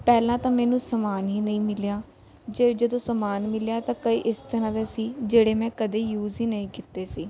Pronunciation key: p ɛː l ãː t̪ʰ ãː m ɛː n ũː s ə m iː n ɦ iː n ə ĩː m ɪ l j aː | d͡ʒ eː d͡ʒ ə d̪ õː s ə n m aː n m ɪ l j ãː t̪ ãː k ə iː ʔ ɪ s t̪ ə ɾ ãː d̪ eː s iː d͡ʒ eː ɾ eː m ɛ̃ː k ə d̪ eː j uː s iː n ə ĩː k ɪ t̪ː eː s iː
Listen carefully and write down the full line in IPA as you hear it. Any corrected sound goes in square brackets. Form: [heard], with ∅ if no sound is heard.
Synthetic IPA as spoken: p ɛː l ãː [t̪] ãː m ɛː n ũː s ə m [aː] n ɦ iː n ə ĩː m ɪ l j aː | d͡ʒ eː d͡ʒ ə d̪ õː s ə [∅] m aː n m ɪ l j [aː] t̪ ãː k ə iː ʔ ɪ s t̪ ə ɾ ãː d̪ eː s iː d͡ʒ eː [ɽ] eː m ɛ̃ː k ə d̪ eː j uː [z] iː n ə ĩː k ɪ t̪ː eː s iː